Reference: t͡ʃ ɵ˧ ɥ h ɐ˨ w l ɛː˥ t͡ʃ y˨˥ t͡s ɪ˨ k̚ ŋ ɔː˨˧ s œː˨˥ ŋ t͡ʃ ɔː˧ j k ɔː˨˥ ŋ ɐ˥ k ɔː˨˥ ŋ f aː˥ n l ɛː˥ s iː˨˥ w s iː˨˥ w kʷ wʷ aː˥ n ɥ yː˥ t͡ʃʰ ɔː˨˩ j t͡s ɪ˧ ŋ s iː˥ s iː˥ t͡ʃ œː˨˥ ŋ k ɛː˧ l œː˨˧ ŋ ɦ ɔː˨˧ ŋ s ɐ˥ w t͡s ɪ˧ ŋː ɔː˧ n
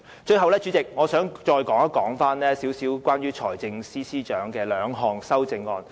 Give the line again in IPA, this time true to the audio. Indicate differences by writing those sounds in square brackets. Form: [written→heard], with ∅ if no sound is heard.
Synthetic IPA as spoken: t͡ʃ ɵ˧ ɥ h ɐ˨ w l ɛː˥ t͡ʃ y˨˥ t͡s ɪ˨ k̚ ŋ ɔː˨˧ s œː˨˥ ŋ t͡ʃ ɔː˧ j k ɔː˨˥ ŋ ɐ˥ k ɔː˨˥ ŋ f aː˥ n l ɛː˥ s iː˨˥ w s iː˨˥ w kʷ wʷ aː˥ n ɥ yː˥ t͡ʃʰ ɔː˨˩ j t͡s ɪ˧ ŋ s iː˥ s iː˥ t͡ʃ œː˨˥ ŋ k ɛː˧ l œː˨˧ ŋ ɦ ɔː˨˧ ŋ s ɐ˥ w t͡s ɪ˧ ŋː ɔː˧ n